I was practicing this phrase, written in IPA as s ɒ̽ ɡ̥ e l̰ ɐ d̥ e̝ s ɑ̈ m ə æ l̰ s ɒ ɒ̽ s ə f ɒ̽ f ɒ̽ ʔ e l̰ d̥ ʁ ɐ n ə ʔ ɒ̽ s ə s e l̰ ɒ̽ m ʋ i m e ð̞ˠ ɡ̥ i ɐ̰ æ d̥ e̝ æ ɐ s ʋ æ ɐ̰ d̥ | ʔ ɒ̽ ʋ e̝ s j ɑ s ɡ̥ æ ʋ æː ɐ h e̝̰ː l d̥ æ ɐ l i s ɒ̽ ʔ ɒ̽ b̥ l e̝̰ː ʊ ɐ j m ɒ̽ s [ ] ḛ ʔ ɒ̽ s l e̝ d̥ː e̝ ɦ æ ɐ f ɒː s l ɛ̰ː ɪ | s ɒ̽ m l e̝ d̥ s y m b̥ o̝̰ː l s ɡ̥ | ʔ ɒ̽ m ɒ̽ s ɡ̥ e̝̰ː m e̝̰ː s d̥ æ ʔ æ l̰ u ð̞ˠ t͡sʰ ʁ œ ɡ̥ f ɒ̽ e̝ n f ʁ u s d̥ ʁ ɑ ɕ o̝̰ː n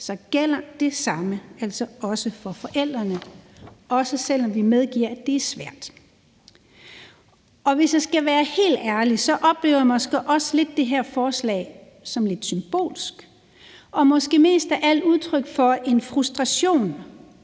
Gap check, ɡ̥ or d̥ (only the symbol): ɡ̥